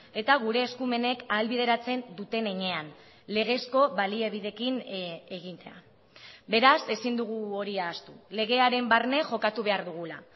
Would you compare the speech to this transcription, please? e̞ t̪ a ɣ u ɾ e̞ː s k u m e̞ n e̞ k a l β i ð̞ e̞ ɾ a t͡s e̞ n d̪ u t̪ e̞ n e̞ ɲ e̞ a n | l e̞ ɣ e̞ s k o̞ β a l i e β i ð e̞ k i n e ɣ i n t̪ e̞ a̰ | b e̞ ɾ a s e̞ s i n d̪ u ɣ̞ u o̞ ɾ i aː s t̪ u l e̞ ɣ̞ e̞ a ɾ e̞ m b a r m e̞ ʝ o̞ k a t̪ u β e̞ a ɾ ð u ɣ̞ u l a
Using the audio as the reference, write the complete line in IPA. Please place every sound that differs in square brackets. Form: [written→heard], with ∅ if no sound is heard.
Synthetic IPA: e̞ t̪ a ɣ u ɾ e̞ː s k u m e̞ n e̞ k a l β i ð̞ e̞ ɾ a t͡s e̞ n d̪ u t̪ e̞ n e̞ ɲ e̞ a n | l e̞ ɣ e̞ s k o̞ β a l i e β i ð e̞ k i n e ɣ i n t̪ e̞ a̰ | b e̞ ɾ a s e̞ s i n d̪ u ɣ̞ u o̞ ɾ i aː s t̪ u l e̞ ɣ̞ e̞ a ɾ e̞ m b a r [m→n] e̞ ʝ o̞ k a t̪ u β e̞ a ɾ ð u ɣ̞ u l a